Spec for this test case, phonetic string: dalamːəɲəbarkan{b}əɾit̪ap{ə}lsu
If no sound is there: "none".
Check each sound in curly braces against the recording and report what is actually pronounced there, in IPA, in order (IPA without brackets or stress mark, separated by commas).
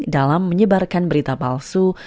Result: b, a